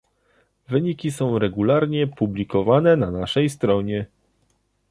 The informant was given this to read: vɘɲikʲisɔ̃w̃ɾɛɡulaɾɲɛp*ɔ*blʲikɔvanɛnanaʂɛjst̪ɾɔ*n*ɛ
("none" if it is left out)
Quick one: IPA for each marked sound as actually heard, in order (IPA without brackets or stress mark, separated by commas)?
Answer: u, ɲ